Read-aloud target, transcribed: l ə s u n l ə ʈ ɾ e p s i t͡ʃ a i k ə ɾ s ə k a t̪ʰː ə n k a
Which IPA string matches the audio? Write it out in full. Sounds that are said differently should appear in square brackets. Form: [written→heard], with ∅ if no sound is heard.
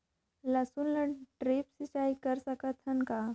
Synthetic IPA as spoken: l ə s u n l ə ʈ ɾ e p s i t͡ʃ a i k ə ɾ s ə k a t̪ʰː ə n k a